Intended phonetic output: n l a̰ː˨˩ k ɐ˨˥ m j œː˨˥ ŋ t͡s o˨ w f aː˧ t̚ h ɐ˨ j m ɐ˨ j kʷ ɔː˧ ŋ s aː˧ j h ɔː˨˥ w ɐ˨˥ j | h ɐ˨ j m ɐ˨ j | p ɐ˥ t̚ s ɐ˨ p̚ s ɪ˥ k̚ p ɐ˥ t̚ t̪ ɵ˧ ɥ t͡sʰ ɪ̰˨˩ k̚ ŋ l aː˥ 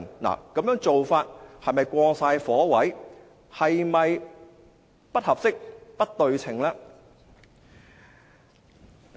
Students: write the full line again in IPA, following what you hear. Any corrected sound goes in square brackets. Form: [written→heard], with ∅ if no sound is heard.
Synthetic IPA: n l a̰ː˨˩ k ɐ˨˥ m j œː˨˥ ŋ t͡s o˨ w f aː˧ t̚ h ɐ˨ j m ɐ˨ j kʷ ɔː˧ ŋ s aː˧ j [h→f] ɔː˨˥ w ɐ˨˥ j | h ɐ˨ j m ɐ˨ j | p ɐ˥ t̚ [s→h] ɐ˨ p̚ s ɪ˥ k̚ p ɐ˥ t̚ t̪ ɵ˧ ɥ t͡sʰ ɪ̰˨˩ [k̚→∅] ŋ l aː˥